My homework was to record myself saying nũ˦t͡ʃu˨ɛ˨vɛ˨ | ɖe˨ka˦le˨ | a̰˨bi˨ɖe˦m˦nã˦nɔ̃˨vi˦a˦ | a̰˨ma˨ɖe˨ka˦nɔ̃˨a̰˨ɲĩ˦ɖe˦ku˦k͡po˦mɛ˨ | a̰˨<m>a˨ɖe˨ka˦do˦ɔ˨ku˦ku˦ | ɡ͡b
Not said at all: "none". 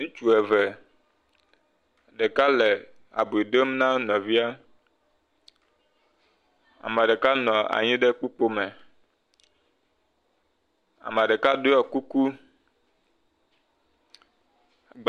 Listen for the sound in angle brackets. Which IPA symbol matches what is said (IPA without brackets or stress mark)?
m